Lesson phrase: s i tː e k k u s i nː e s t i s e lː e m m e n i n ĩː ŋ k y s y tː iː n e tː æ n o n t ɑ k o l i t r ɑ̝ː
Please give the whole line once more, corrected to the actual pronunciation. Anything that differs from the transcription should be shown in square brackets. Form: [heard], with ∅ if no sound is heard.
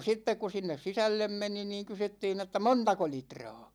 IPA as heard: s i tː e k k u s i nː e s [s] i s [æ] lː e m m e n i n [iː] ŋ k y s y tː iː n e tː æ [m] o n t ɑ k o l i t r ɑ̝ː